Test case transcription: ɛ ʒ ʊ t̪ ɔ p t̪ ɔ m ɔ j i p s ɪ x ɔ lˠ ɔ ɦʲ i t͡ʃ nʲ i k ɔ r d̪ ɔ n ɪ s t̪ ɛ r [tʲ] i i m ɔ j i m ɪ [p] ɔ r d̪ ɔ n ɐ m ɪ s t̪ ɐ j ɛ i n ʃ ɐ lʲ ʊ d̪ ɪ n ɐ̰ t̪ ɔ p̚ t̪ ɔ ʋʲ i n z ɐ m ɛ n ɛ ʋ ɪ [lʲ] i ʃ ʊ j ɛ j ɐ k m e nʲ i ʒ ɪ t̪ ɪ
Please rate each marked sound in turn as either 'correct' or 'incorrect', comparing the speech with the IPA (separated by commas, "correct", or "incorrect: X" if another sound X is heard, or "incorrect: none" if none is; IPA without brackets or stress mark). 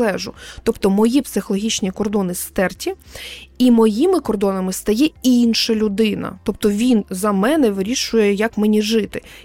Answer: correct, incorrect: k, incorrect: ɾʲ